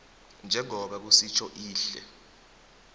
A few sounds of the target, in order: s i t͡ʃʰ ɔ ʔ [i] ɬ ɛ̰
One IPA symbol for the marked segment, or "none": iː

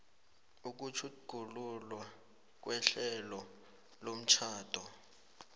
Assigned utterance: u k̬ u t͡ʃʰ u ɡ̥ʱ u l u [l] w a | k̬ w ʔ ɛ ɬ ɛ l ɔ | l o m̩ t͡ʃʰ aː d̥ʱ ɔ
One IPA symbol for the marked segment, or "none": l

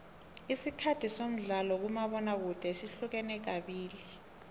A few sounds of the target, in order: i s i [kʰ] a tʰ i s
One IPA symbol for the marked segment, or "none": kʰ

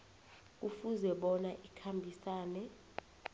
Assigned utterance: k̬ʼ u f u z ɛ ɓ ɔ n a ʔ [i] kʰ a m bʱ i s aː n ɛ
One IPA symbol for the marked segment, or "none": i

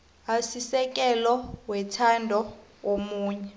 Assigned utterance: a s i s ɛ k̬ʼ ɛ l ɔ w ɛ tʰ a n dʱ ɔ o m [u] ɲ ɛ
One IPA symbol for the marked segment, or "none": uː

